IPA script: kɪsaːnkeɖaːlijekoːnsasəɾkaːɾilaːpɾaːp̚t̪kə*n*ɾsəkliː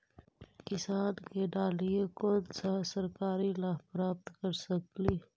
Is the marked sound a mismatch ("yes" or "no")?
yes